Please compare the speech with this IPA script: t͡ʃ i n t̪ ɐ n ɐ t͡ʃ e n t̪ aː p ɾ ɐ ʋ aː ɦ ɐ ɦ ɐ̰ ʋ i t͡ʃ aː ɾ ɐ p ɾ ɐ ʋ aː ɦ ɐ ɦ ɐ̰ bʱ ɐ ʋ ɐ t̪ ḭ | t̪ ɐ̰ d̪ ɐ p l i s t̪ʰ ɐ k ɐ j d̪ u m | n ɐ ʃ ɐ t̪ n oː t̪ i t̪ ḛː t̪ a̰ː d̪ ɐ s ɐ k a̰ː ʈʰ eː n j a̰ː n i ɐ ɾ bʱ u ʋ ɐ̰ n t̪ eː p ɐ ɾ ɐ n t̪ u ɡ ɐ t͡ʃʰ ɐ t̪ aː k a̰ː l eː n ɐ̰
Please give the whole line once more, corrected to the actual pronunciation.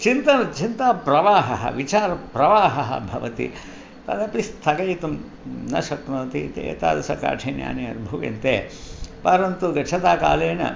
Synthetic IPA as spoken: t͡ʃ i n t̪ ɐ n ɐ t͡ʃ i n t̪ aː p ɾ ɐ ʋ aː ɦ ɐ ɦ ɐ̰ ʋ i t͡ʃ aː ɾ ɐ p ɾ ɐ ʋ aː ɦ ɐ ɦ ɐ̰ bʱ ɐ ʋ ɐ t̪ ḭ | t̪ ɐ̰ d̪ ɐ p l i s t̪ʰ ɐ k ɐ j t̪ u m | n ɐ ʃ ɐ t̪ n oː t̪ i t̪ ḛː t̪ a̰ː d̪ ɐ s ɐ k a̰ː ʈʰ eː n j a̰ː n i ɐ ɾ bʱ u ʋ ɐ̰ n t̪ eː p ɐ ɾ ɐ n t̪ u ɡ ɐ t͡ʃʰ ɐ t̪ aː k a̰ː l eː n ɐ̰